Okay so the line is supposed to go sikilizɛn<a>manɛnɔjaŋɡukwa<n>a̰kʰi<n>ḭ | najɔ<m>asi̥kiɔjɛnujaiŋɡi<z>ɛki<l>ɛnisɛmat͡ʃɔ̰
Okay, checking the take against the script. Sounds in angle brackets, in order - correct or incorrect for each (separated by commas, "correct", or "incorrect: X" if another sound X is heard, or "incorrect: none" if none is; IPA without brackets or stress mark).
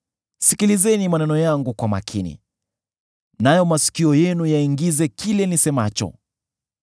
incorrect: i, incorrect: m, correct, correct, correct, correct